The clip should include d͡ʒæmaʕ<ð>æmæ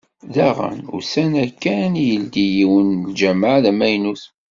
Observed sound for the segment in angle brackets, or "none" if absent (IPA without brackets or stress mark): ð